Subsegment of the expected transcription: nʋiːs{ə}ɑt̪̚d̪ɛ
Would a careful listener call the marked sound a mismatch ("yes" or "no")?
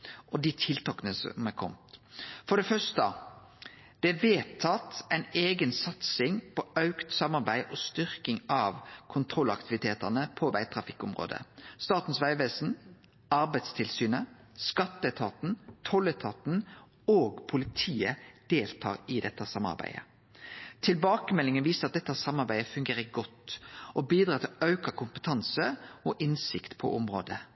no